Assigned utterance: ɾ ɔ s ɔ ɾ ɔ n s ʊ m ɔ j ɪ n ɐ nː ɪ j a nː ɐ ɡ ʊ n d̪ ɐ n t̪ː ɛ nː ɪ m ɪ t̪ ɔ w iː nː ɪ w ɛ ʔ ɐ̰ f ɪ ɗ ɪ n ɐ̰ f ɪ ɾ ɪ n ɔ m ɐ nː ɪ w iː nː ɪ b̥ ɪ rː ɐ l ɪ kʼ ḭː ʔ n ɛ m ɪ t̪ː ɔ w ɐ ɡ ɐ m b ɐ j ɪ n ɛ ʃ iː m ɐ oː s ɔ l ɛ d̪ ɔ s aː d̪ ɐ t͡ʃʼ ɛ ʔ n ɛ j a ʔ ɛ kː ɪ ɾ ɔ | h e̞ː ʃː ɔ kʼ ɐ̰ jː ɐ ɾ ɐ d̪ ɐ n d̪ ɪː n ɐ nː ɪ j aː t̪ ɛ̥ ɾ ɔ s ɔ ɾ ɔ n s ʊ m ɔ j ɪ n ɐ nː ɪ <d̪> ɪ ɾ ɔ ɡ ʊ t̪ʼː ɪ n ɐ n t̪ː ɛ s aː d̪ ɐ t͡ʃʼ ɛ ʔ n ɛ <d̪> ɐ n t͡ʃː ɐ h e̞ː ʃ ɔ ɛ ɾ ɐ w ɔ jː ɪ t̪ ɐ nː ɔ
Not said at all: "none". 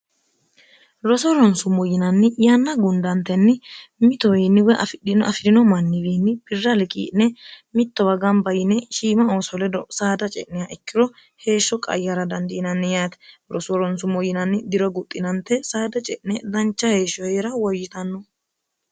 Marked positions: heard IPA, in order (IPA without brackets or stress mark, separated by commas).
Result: d̪, d̪